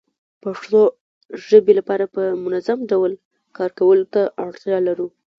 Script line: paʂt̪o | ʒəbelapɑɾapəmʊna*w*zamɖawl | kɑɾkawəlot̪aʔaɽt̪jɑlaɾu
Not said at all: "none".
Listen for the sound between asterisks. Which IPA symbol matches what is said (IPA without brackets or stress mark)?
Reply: none